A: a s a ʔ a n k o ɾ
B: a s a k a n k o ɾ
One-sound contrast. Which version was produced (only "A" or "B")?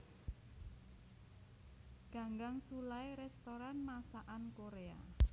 A